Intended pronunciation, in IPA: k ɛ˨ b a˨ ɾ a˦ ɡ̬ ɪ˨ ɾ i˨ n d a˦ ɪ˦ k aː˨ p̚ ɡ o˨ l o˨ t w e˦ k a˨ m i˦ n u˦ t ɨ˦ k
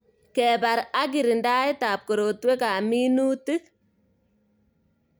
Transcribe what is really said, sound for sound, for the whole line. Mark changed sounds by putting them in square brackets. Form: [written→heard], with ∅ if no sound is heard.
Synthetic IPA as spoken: k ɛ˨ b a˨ ɾ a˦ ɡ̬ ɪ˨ ɾ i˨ n d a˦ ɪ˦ [k→t] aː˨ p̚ [ɡ→k] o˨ [l→ɾ] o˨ t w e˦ k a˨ m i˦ n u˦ t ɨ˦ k